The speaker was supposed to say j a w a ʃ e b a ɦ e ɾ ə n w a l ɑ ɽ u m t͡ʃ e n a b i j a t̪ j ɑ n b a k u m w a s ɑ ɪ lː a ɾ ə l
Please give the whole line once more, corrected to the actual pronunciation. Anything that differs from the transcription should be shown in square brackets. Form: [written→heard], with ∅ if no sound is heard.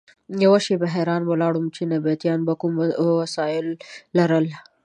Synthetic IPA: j a w a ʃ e b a ɦ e ɾ [ə→ɑ] n w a l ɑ ɽ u m t͡ʃ e n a b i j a t̪ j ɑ n b a k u m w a s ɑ ɪ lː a ɾ ə l